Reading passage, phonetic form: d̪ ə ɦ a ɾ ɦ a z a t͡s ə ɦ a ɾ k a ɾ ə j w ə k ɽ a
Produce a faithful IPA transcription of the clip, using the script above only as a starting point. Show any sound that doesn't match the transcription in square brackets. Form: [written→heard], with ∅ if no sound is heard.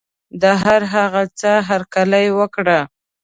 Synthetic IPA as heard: d̪ ə ɦ a ɾ ɦ a [z→ɣ] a t͡s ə ɦ a ɾ k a [ɾ→l] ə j w ə k ɽ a